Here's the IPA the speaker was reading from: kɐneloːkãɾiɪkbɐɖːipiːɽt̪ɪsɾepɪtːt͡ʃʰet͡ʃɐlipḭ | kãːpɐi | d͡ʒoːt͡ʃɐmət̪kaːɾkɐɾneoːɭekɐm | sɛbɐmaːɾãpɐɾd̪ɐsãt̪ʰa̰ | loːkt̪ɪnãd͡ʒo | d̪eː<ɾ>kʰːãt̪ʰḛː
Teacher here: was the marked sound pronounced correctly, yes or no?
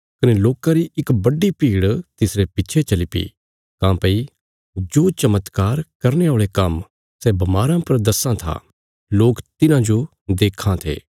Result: no